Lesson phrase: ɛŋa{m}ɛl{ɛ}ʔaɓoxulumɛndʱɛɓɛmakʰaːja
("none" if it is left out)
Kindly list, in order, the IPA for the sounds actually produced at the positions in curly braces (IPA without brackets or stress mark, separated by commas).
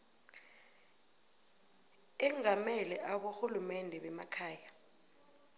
m, ɛ